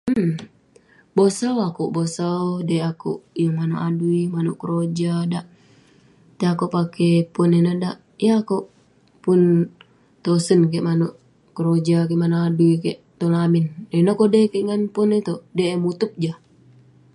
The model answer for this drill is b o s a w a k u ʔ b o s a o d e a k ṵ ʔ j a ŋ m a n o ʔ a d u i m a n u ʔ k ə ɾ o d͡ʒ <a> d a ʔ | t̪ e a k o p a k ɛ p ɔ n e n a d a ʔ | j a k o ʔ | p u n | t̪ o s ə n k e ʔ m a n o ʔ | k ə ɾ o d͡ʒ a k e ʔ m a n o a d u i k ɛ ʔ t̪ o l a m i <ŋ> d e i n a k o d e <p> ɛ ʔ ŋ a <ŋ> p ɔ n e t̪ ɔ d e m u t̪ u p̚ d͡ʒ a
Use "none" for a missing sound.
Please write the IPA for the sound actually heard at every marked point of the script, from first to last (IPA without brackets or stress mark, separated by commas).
a, n, k, n